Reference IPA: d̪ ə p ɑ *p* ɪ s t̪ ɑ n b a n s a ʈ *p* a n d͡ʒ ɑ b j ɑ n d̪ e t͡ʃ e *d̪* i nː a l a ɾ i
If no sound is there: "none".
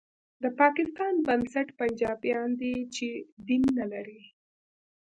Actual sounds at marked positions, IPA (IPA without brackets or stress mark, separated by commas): k, p, d̪